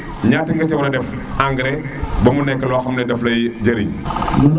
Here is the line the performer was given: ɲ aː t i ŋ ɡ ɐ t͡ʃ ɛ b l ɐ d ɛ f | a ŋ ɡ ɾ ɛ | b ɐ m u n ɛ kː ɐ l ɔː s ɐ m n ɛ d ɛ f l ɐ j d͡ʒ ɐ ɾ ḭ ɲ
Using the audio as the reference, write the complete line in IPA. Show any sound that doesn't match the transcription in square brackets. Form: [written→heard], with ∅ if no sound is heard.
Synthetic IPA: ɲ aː t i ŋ ɡ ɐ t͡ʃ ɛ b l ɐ d ɛ f | a ŋ ɡ ɾ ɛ | b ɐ m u n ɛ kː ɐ l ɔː [s→x] ɐ m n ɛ d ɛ f l ɐ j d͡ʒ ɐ ɾ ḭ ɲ